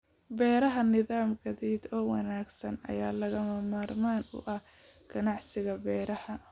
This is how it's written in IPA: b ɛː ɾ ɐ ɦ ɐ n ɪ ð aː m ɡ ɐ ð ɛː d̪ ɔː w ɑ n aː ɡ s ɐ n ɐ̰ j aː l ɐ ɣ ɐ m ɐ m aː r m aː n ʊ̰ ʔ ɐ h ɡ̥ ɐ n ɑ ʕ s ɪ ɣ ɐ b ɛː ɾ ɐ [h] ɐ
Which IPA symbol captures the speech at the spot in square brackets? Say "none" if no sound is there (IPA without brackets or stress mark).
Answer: h